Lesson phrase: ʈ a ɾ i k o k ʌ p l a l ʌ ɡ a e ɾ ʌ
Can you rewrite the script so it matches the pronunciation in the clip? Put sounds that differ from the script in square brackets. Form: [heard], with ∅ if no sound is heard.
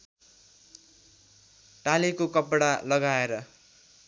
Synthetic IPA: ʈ a [l] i k o k ʌ p [ɽ] a l ʌ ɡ a e ɾ ʌ